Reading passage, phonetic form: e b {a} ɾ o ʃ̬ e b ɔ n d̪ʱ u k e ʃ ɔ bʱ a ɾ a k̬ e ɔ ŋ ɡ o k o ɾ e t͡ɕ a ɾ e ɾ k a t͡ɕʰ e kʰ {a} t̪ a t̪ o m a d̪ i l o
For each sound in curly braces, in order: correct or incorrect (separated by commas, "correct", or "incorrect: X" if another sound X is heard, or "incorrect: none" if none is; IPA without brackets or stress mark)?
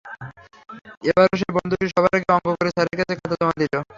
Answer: correct, correct